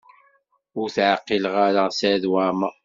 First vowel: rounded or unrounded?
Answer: rounded